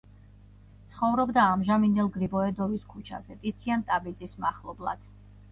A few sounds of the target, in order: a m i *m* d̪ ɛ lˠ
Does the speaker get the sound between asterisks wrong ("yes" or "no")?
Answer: yes